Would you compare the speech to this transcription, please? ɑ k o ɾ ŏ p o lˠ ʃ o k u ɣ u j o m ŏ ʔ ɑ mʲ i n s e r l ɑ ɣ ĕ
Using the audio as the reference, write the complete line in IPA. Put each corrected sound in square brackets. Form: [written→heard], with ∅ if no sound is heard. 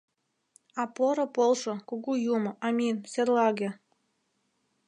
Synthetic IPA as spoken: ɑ [k→p] o ɾ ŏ p o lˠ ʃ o k u ɣ u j [o→u] m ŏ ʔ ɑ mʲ i n s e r l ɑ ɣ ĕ